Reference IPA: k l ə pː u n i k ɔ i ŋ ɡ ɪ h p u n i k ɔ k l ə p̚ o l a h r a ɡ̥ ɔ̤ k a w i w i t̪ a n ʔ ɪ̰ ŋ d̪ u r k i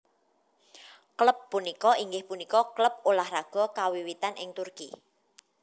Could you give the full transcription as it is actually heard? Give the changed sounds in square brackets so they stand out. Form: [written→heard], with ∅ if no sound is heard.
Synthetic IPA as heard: k l ə pː u n i k ɔ i ŋ ɡ ɪ h p u n i k ɔ k l ə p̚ o l a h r a ɡ̥ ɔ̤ k a w i w i t̪ a n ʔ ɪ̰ ŋ [d̪→t̪] u r k i